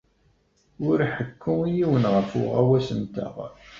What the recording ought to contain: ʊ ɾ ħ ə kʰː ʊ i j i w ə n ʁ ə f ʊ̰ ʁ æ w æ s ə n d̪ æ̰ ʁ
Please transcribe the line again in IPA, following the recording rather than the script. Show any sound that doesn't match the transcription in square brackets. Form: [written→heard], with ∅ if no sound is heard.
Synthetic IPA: ʊ ɾ ħ ə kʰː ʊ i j i w ə n ʁ ə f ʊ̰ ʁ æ w æ s ə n [d̪→t̪] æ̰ ʁ

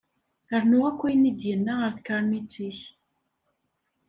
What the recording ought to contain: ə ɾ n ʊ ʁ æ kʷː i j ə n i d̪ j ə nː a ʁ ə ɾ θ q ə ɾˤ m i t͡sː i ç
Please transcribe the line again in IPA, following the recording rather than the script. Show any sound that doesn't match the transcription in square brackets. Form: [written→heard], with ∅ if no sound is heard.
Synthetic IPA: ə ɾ n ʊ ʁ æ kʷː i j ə n i d̪ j ə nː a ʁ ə ɾ θ [q→k] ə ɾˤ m i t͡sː i ç

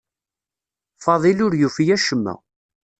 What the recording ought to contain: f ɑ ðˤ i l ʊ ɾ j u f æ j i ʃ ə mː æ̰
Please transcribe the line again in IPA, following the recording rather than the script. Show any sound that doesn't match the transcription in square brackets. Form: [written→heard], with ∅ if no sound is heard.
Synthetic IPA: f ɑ ðˤ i l ʊ ɾ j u f [æ→i] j [i→æ] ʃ ə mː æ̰

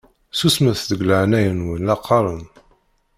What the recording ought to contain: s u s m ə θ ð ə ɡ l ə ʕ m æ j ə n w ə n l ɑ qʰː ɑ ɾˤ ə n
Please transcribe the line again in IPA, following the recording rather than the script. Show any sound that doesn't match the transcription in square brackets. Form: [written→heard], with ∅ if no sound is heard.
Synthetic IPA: s u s m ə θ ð ə ɡ l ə ʕ [m→n] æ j ə n w ə n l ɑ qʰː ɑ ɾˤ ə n

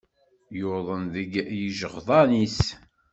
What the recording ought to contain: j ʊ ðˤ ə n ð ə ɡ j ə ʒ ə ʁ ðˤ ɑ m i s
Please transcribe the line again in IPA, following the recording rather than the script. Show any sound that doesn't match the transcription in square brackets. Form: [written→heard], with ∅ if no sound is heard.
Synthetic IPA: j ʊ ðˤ ə n ð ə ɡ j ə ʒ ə ʁ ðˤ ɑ [m→n] i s

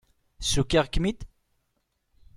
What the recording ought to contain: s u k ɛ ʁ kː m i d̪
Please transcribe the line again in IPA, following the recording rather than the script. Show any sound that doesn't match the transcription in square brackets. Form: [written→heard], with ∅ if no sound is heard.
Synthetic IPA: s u k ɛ ʁ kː m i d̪

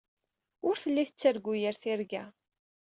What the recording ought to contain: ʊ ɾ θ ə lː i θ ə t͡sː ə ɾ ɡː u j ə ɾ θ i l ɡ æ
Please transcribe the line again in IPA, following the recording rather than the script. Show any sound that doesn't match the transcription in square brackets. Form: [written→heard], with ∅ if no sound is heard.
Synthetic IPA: ʊ ɾ θ ə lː i θ ə t͡sː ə ɾ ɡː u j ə ɾ θ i [l→ɾ] ɡ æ

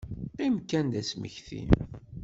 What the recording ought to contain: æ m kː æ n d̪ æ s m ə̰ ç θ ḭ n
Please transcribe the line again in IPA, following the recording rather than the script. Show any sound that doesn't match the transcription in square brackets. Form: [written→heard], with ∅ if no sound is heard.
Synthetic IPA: [æ→i] m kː æ n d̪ æ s m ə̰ ç θ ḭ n

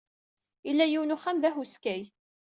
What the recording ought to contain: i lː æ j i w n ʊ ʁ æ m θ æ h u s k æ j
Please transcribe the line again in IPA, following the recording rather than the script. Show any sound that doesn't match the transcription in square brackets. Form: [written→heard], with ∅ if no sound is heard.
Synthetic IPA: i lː æ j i w n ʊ [ʁ→χ] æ m [θ→ð] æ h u s k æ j

